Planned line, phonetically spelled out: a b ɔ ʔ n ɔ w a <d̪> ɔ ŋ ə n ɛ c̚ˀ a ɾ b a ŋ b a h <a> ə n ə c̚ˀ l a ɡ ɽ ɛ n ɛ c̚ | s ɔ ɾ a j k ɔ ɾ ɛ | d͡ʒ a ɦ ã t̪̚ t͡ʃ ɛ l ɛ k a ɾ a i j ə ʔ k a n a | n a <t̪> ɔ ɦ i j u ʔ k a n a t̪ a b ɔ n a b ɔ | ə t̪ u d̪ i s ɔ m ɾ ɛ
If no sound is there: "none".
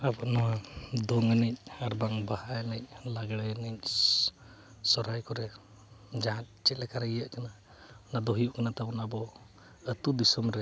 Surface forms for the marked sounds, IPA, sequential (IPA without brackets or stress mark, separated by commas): d̪, a, d̪